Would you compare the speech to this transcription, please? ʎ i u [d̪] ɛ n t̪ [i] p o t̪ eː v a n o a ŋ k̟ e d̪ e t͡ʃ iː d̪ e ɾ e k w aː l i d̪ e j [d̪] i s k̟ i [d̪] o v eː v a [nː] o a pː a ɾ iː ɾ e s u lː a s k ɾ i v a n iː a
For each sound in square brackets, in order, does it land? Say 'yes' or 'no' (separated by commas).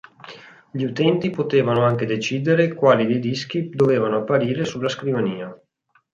no, yes, yes, yes, no